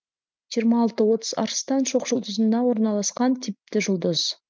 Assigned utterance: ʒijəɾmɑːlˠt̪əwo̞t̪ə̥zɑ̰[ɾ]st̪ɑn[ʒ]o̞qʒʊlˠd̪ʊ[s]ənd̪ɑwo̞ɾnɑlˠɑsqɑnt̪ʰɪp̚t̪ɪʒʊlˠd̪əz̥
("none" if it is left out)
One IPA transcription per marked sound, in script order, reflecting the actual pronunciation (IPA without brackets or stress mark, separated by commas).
ɾ, ʃ, z